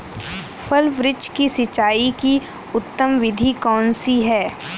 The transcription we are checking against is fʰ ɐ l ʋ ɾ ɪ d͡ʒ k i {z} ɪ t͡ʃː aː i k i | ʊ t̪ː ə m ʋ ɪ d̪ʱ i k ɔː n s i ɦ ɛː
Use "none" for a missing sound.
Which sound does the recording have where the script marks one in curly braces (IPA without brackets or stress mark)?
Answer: s